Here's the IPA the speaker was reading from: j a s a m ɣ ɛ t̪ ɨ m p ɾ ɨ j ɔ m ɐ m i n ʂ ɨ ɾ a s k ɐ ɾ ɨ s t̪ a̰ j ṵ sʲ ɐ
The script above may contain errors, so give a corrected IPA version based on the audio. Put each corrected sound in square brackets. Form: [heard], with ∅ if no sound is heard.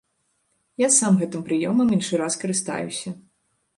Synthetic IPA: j a s a m ɣ ɛ t̪ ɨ m p ɾ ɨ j ɔ m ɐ m i n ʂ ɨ ɾ a s k ɐ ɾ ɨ s t̪ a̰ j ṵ sʲ ɐ